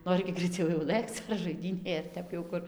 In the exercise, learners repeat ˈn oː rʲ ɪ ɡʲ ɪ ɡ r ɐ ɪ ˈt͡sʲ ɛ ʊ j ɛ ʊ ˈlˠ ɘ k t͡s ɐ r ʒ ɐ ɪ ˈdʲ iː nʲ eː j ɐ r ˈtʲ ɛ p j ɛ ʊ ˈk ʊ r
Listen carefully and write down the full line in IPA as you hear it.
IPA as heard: ˈn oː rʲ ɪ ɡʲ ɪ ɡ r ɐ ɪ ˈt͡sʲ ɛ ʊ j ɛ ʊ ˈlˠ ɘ k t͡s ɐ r ʒ ɐ ɪ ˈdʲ iː nʲ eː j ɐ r ˈtʲ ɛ p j ɛ ʊ ˈk ʊ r